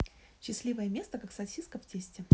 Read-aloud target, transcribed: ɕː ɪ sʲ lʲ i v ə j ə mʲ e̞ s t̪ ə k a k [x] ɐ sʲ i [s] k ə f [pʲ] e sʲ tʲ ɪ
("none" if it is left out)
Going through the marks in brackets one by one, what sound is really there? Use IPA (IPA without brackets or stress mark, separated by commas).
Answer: s, s, tʲ